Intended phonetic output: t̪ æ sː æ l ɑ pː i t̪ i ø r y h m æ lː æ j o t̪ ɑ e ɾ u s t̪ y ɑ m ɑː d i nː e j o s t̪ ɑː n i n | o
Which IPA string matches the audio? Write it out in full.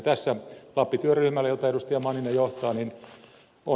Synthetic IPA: t̪ æ sː æ l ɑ pː i t̪ y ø r y h m æ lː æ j o t̪ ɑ e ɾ u s t̪ i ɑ m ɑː n i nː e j o h t̪ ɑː n i n | o